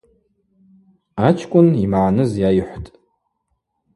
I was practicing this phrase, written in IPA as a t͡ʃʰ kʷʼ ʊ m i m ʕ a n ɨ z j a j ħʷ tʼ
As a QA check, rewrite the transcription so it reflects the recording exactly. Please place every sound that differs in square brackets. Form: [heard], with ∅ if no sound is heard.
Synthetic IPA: a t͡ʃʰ kʷʼ ʊ [n] i m ʕ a n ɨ z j a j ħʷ tʼ

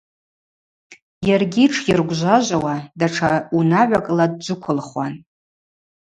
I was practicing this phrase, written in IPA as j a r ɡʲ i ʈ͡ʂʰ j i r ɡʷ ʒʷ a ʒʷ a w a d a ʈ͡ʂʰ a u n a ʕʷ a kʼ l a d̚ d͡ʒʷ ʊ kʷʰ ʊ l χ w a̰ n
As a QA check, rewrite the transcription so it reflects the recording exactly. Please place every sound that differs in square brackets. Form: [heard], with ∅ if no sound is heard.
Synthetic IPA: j a r ɡʲ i ʈ͡ʂʰ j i r ɡʷ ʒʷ a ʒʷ a w a d a ʈ͡ʂʰ a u n a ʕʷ a kʼ l a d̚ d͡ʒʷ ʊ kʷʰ ʊ l χ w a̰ n

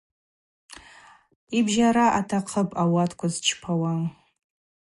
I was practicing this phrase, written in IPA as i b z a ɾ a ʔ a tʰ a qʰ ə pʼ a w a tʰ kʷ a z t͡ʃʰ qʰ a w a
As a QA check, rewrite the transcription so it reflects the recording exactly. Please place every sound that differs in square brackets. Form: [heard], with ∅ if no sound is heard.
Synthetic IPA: i b [ʒ] a ɾ a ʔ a tʰ a qʰ ə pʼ a w a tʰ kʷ a z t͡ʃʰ [pʰ] a w a

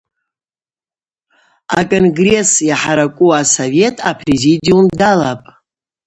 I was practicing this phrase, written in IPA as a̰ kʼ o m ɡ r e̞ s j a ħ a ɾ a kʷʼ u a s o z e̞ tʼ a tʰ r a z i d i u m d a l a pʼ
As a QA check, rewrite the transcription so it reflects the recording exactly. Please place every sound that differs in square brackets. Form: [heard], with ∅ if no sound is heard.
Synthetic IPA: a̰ kʼ o [n] ɡ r e̞ s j a ħ a ɾ a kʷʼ u a s o [v] e̞ tʼ a [pʰ] r [e] z i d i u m d a l a pʼ

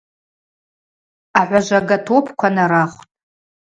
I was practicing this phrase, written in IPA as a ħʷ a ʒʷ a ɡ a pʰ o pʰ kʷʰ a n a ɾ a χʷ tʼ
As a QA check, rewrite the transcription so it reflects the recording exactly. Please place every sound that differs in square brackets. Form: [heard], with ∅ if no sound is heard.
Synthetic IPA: a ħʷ a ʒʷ a ɡ a [tʰ] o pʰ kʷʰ a n a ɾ a χʷ tʼ

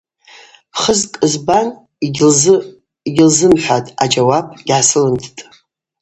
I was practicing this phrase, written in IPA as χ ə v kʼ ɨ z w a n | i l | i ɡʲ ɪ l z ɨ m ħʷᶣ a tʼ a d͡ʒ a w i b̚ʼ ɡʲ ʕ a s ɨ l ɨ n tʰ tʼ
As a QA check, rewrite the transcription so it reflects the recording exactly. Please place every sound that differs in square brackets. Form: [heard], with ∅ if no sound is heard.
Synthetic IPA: χ ə [z] kʼ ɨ z [b] a n | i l | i ɡʲ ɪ l z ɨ m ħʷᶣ a tʼ a d͡ʒ a w [a] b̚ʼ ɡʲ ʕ a s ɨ l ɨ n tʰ tʼ

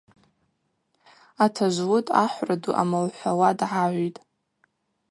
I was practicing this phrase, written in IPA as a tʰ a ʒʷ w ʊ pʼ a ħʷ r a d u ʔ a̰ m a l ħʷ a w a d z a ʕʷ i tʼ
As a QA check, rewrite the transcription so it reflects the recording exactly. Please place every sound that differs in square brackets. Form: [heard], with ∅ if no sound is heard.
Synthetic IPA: a tʰ a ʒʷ w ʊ [tʼ] a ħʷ r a d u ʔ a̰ m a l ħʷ a w a d [ʕ] a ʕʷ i tʼ

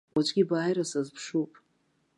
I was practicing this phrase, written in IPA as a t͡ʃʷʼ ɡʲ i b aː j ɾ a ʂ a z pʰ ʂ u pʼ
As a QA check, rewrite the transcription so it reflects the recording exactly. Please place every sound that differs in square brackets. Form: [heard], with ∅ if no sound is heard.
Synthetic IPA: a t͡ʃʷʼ ɡʲ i b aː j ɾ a [s] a z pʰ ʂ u pʼ

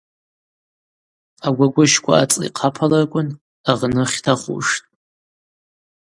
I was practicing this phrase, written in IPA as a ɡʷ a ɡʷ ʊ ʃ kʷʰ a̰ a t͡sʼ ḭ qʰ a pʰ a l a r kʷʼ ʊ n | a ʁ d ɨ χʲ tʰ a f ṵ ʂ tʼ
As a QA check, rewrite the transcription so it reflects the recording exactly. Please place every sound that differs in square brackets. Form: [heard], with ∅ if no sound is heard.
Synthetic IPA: a ɡʷ a ɡʷ ʊ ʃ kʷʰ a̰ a t͡sʼ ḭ qʰ a pʰ a l a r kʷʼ ʊ n | a ʁ [n] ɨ χʲ tʰ a [χ] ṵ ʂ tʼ

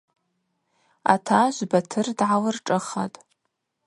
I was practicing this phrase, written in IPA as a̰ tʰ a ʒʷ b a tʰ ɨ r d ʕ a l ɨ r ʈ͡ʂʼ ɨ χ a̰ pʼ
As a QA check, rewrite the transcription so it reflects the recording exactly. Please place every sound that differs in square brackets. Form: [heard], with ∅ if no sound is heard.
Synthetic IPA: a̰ tʰ a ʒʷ b a tʰ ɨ r d ʕ a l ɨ r ʈ͡ʂʼ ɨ χ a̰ [tʼ]

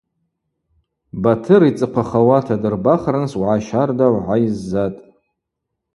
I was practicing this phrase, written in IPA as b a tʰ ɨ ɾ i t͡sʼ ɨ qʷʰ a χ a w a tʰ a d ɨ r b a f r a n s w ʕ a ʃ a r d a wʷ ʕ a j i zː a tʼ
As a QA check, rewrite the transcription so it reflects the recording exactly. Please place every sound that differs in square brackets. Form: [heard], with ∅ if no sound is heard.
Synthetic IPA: b a tʰ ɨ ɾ i t͡sʼ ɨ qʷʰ a χ a w a tʰ a d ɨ r b a [χ] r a n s w ʕ a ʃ a r d a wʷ ʕ a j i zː a tʼ

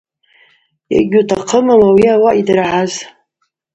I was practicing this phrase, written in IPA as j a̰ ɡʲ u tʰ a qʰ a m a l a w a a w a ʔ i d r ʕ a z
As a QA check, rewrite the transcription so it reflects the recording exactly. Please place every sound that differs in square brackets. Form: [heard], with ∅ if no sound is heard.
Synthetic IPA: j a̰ ɡʲ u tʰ a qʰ [ə] m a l a w [i] a w a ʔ i d r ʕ a z

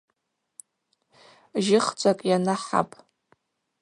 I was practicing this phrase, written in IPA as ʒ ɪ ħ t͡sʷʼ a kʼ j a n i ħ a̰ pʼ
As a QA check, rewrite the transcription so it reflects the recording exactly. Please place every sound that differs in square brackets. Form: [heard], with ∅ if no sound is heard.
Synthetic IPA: ʒ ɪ [χ] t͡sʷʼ a kʼ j a n [a] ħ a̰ pʼ

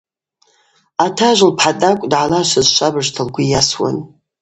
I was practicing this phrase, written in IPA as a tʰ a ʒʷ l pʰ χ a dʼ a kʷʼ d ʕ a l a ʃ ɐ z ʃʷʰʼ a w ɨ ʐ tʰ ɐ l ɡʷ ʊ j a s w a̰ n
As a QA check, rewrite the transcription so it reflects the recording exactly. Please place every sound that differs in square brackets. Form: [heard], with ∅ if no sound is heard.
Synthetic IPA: a tʰ a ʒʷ l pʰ [ħ] a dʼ a kʷʼ d ʕ a l a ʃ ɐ z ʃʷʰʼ a [b] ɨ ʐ tʰ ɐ l ɡʷ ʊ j a s w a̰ n

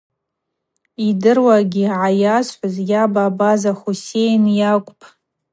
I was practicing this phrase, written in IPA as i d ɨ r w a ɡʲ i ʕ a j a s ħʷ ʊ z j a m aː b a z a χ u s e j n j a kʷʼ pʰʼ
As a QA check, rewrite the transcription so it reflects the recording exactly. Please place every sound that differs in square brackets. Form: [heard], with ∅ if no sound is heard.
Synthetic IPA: i d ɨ r w a ɡʲ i ʕ a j a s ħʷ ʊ z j a [b] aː b a z a χ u s e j n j a kʷʼ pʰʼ

